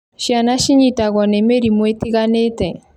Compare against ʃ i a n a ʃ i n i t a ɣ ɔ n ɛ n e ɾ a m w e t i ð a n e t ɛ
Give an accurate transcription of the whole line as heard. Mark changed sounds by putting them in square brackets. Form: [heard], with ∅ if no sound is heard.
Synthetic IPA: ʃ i a n a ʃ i [ɲ] i t a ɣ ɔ n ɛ [m] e ɾ [i] m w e t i [ɣ] a n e t ɛ